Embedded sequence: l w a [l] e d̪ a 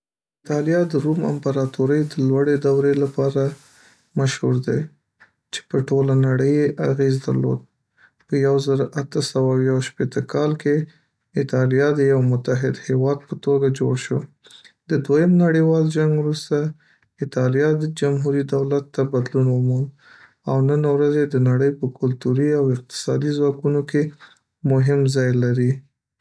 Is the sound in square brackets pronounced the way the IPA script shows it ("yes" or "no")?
no